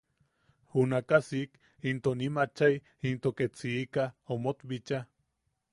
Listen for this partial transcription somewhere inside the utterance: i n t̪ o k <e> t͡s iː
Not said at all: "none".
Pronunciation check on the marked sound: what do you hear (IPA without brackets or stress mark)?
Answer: e